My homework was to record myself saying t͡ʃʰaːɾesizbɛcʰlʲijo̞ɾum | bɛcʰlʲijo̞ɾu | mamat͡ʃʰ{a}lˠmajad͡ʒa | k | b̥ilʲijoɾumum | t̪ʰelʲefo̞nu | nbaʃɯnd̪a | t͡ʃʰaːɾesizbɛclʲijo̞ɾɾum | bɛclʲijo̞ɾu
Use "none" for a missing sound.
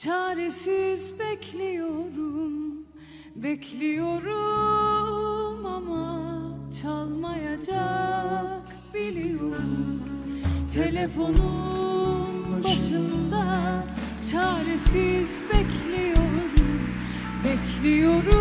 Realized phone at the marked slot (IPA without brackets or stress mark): a